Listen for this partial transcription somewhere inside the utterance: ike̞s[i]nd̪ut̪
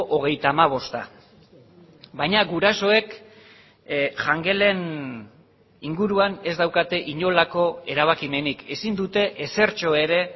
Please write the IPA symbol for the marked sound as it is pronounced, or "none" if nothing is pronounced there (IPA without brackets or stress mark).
i